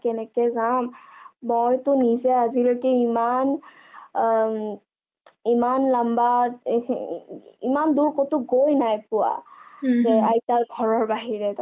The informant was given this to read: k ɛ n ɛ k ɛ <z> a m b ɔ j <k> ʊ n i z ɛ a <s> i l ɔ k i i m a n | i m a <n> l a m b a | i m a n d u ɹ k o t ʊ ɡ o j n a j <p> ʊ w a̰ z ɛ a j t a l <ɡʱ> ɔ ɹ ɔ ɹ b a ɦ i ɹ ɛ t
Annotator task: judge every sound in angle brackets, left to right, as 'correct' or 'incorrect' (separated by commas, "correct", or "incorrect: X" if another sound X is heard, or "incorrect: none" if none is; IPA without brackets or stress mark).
correct, incorrect: t, incorrect: z, correct, correct, correct